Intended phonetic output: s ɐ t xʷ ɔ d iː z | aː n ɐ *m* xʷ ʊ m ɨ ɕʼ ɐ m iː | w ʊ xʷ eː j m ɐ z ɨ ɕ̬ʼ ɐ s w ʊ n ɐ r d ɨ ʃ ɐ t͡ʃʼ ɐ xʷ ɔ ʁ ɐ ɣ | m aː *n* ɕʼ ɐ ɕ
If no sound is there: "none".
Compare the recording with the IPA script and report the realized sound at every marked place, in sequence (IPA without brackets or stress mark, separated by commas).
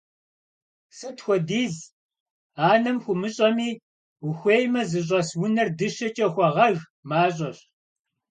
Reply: m, none